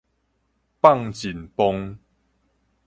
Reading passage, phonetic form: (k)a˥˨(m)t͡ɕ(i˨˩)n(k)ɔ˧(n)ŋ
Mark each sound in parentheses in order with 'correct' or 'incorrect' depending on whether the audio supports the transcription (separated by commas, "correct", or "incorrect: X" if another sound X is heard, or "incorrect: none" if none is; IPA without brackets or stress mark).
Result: incorrect: p, incorrect: ŋ, correct, incorrect: p, incorrect: none